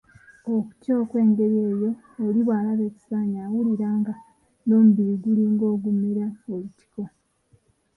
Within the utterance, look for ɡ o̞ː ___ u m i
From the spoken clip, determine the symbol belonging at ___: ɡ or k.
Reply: ɡ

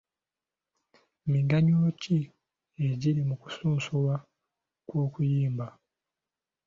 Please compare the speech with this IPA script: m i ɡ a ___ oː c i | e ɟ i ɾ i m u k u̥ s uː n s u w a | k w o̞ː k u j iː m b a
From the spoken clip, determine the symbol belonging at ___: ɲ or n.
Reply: ɲ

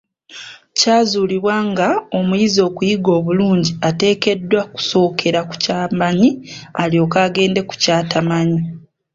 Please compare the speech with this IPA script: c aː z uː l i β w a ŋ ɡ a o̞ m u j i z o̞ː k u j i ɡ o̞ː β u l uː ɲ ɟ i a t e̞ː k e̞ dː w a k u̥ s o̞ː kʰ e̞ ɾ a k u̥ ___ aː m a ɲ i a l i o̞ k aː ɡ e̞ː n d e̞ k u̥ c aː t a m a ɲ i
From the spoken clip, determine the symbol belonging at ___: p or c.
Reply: c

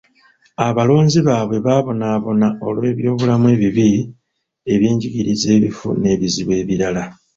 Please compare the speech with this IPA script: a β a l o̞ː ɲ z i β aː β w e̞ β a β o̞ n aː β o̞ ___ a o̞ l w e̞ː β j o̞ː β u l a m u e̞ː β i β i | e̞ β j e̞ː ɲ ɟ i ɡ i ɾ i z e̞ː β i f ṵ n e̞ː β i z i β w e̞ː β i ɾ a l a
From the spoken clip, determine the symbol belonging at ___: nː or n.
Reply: n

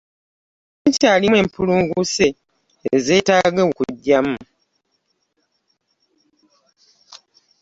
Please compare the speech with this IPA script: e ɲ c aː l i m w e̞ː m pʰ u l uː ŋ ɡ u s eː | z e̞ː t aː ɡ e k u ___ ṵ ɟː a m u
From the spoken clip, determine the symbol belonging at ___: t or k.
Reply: k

